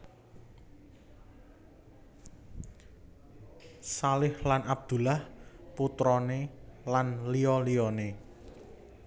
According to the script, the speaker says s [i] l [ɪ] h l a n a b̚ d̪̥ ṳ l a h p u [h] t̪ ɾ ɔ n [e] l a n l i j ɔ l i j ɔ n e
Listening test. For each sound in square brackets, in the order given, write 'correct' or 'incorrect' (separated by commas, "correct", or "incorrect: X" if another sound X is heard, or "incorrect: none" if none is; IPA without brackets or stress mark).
incorrect: a, correct, incorrect: none, correct